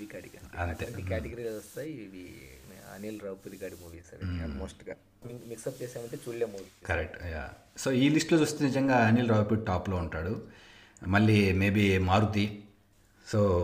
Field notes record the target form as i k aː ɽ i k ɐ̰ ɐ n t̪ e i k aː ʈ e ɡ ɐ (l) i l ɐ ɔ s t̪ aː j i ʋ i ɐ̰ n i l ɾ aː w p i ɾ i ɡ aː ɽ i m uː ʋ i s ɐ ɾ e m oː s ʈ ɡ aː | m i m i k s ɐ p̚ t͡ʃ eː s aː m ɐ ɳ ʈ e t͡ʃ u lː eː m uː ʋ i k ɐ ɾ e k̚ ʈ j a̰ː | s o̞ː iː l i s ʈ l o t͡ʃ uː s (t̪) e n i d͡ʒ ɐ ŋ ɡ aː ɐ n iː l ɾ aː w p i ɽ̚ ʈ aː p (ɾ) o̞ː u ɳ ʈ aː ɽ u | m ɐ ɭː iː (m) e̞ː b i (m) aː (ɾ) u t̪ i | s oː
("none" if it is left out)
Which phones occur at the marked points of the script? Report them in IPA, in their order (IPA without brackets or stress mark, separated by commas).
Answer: ɾ, t̪, l, m, m, ɾ